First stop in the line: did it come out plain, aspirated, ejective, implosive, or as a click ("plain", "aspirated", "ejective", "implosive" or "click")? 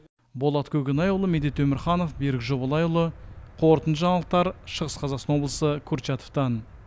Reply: plain